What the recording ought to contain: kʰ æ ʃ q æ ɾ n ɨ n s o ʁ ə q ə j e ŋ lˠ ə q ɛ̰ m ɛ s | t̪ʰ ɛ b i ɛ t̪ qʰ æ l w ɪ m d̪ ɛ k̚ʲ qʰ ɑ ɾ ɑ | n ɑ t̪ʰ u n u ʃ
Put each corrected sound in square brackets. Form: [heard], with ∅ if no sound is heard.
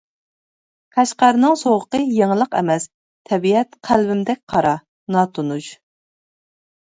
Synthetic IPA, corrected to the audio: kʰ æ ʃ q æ ɾ n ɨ [ŋ] s o ʁ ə q ə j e ŋ lˠ ə q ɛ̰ m ɛ s | t̪ʰ ɛ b i ɛ t̪ qʰ æ l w ɪ m d̪ ɛ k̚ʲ qʰ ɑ ɾ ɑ | n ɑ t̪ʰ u n u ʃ